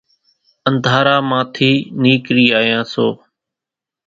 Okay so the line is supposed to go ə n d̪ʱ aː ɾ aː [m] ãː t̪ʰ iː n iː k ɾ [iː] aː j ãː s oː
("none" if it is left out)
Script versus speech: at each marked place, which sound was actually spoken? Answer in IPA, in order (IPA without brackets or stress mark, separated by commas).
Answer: m, iː